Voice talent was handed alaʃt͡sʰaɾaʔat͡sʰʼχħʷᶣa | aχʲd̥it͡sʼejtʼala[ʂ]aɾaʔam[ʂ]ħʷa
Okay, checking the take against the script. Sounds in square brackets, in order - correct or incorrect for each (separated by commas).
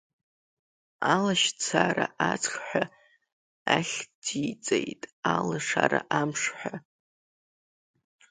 correct, correct